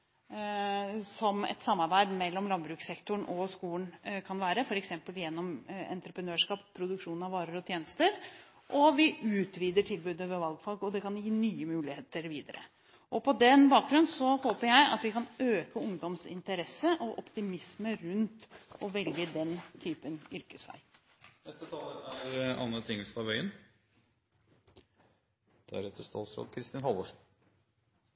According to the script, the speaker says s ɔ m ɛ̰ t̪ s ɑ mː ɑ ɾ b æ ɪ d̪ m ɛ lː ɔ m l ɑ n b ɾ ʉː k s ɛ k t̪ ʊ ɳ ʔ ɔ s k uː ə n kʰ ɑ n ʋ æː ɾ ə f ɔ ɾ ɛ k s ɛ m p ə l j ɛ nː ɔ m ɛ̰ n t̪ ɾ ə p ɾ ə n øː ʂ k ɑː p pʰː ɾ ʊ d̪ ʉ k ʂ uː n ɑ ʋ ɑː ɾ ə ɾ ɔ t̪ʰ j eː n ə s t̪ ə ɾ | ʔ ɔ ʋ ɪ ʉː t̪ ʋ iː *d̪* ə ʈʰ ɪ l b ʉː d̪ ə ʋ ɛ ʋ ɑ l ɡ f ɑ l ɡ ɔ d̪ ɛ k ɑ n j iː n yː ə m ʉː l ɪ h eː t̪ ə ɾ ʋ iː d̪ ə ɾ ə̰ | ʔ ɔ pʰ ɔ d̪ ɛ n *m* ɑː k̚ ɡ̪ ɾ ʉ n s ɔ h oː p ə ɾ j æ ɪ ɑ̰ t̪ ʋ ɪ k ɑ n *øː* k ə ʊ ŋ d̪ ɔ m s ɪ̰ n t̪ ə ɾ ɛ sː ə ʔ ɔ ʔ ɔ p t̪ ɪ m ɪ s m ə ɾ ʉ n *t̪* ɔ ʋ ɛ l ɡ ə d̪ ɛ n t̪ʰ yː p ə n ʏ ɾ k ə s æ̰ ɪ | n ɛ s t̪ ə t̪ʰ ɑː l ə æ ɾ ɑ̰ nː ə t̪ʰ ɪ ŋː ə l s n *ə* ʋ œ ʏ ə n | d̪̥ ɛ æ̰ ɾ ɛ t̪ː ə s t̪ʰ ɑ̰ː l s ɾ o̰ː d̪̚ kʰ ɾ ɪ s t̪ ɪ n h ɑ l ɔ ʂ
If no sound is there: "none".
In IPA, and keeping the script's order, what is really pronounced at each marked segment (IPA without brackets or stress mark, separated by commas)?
d̪, b, øː, t̪, ɑ